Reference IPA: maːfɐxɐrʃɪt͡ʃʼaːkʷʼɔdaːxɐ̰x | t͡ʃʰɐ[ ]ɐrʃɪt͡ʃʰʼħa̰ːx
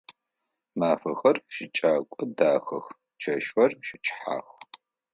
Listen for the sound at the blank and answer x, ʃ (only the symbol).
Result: ʃ